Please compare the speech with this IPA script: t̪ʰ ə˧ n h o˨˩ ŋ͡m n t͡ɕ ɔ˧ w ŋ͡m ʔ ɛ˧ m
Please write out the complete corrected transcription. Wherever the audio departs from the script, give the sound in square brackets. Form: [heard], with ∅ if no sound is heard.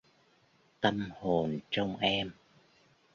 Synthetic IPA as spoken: [t̪] ə˧ [m] h o˨˩ [∅] n t͡ɕ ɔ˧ w ŋ͡m ʔ ɛ˧ m